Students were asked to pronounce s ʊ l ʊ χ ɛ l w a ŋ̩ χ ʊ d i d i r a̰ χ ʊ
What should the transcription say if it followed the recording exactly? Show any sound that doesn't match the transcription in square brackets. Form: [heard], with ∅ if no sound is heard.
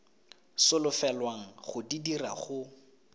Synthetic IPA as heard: s ʊ l ʊ [f] ɛ l w a ŋ̩ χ ʊ d i d i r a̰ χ ʊ